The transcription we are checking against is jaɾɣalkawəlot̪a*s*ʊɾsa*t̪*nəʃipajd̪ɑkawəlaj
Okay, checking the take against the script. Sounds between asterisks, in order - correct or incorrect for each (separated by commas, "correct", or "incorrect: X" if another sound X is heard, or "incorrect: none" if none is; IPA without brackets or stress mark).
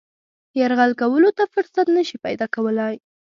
incorrect: f, correct